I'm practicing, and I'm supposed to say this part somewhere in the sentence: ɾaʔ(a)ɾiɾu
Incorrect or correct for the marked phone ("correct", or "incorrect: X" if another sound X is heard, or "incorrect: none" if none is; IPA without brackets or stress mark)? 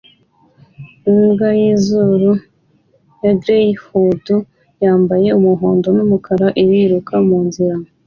incorrect: i